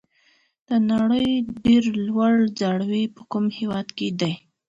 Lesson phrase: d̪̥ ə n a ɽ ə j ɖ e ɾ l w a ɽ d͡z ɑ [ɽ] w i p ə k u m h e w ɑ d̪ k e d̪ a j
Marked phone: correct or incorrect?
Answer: correct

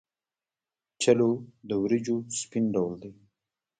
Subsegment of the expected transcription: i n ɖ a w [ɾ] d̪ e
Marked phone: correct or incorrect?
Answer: incorrect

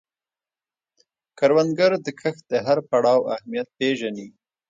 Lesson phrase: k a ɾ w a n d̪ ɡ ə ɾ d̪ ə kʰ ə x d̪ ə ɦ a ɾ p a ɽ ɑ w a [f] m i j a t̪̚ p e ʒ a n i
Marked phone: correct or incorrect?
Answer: incorrect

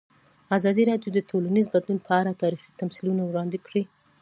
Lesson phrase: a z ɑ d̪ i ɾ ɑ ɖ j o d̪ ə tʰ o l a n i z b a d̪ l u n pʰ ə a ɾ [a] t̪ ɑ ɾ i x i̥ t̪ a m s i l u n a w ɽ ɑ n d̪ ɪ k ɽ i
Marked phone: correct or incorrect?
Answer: correct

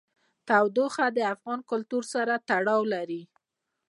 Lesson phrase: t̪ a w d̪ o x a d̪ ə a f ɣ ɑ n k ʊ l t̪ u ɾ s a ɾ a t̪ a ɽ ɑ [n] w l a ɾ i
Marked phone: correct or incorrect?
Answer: incorrect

